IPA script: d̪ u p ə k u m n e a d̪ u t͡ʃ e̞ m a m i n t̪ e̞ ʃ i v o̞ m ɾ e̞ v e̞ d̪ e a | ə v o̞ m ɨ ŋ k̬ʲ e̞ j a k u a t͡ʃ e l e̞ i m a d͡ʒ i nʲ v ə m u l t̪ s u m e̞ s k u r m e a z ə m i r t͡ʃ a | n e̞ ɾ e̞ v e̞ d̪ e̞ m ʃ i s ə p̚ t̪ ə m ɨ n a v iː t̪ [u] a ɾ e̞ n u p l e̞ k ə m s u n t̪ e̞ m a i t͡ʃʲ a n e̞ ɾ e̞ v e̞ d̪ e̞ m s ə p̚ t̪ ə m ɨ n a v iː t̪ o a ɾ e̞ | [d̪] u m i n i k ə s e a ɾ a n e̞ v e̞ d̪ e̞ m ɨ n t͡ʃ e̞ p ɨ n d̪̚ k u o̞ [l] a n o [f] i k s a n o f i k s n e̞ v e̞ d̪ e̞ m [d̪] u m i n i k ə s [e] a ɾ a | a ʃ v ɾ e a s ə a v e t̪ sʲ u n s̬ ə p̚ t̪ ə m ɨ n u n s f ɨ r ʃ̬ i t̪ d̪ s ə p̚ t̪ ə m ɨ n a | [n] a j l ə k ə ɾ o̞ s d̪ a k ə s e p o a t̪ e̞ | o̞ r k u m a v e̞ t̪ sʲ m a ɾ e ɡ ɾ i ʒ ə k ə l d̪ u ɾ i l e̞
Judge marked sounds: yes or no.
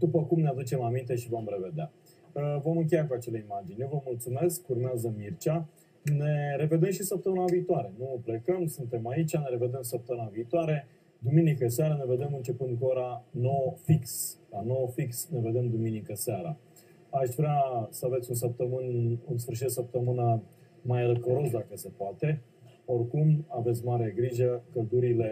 no, yes, no, yes, yes, yes, no

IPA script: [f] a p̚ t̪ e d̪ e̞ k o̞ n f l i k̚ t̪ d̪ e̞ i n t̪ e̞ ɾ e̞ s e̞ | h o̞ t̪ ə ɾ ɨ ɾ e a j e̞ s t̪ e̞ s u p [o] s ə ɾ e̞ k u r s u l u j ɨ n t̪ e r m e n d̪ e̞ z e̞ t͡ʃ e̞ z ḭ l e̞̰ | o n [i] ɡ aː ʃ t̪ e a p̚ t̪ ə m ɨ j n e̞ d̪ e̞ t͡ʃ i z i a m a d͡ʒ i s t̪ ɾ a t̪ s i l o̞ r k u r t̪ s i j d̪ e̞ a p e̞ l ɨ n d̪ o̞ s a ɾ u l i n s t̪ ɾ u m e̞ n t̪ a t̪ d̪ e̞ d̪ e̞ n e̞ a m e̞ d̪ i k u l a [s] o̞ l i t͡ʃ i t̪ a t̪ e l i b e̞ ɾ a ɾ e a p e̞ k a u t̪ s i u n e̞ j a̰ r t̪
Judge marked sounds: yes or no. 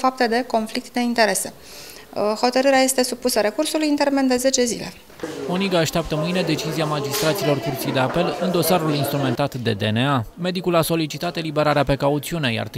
yes, no, yes, yes

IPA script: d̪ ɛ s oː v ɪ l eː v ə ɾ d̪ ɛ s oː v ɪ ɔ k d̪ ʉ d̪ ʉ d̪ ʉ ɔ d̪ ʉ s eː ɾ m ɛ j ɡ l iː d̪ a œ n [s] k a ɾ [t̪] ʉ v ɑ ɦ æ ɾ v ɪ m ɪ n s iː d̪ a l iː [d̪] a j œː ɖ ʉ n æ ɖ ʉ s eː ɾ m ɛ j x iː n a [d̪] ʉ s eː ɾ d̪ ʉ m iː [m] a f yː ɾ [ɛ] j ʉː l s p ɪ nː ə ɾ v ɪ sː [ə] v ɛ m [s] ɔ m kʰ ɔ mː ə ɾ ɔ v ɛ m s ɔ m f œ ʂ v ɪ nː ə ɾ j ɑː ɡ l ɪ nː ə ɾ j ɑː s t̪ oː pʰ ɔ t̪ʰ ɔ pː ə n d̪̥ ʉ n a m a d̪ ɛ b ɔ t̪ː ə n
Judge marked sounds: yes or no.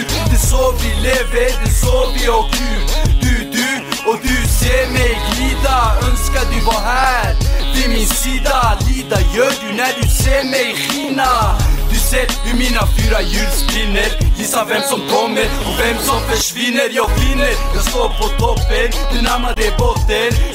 yes, no, yes, yes, no, no, no, yes

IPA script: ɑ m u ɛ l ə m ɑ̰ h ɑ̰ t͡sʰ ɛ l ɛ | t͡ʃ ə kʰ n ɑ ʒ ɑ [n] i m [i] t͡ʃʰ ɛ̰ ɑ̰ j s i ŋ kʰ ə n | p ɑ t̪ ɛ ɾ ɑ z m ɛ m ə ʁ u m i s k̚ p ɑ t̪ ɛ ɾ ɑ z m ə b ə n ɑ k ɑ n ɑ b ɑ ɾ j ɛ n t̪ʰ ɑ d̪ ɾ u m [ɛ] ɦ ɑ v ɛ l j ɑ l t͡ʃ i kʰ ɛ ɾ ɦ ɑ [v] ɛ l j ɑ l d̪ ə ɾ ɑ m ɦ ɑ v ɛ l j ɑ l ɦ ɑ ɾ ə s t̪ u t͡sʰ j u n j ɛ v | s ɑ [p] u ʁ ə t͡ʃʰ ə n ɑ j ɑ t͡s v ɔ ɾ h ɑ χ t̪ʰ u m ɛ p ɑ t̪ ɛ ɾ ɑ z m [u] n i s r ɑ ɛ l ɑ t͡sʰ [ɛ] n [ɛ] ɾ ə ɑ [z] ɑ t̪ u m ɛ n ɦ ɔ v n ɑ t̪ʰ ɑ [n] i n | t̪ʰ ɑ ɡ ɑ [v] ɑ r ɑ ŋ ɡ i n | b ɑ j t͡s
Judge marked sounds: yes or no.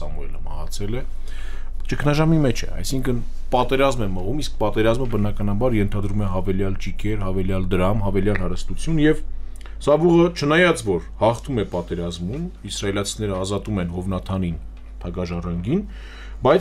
no, no, yes, yes, no, yes, no, yes, yes, yes, no

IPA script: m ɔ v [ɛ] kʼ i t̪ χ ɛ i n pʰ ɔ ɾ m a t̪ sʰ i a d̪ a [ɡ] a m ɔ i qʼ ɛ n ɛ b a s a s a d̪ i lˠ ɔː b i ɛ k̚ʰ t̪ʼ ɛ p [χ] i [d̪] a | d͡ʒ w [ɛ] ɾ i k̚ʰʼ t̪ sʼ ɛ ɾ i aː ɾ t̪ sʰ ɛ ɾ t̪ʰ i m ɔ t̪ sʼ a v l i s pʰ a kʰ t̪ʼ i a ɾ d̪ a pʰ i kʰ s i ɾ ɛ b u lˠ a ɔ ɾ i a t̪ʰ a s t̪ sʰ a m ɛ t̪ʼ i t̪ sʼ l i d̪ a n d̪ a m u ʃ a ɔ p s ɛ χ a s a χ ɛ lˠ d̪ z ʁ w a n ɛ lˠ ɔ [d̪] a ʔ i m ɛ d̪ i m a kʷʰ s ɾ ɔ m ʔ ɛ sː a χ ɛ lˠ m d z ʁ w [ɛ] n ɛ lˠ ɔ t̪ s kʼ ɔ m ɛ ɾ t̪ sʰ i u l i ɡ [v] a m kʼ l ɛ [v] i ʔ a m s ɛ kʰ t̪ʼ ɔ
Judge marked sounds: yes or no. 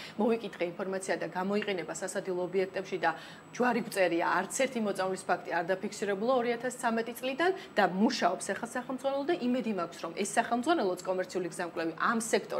no, yes, no, yes, no, yes, no, no, yes

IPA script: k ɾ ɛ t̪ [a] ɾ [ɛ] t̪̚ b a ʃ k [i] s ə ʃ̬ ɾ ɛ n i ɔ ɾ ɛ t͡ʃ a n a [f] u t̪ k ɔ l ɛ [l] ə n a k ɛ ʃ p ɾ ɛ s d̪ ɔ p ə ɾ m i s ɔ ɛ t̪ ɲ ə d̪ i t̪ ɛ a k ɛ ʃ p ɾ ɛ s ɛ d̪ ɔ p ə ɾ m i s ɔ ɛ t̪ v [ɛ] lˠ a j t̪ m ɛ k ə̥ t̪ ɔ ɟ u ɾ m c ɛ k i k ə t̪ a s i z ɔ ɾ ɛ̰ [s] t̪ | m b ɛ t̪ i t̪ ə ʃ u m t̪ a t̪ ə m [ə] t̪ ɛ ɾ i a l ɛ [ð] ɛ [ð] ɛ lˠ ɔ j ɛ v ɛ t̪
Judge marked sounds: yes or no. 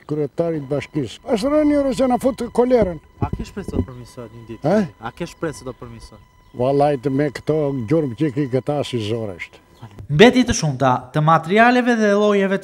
yes, no, yes, yes, no, no, no, no, no, yes

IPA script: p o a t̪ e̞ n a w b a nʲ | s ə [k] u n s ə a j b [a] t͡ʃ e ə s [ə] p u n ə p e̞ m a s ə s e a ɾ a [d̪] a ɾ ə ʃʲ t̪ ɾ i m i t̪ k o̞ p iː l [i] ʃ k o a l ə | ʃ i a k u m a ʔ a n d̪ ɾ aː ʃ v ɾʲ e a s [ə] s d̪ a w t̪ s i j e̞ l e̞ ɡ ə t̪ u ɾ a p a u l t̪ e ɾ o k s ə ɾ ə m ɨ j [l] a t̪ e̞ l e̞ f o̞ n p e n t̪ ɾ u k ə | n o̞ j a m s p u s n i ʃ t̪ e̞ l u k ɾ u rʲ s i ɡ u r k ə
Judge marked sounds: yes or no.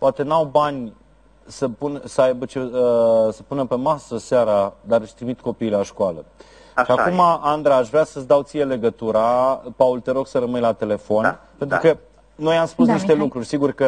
no, no, yes, yes, no, yes, yes

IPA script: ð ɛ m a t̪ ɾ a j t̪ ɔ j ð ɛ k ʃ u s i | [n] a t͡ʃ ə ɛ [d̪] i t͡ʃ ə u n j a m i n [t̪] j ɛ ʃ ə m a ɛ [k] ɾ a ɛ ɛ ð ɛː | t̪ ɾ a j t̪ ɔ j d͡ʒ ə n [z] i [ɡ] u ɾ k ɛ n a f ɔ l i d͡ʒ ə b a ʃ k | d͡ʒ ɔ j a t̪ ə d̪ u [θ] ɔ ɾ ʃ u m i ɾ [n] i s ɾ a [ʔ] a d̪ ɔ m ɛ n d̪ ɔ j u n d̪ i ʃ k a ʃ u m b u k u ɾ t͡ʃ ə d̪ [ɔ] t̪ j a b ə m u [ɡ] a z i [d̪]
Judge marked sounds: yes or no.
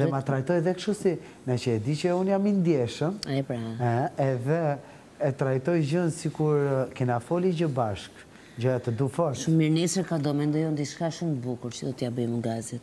yes, yes, no, no, no, no, no, yes, no, yes, yes, no

